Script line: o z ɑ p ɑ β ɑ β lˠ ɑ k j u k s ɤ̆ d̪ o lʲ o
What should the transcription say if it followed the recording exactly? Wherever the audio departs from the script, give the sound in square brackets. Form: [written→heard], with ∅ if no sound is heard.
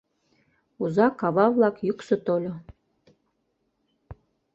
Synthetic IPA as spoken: [o→u] z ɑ [p→k] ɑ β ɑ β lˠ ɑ k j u k s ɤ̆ [d̪→t̪] o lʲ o